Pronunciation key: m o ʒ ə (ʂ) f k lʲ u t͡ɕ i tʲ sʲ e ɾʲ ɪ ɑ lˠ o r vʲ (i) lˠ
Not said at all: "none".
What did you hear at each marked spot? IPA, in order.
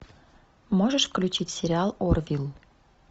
ʃ, i

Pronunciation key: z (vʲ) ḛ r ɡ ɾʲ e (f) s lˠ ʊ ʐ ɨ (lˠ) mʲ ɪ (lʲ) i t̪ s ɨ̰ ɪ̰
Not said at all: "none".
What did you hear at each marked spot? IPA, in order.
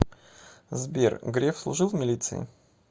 bʲ, f, lˠ, lʲ

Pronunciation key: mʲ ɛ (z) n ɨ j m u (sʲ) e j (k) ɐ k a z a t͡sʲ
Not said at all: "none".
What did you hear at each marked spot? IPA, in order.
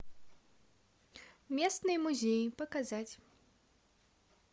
s, zʲ, p

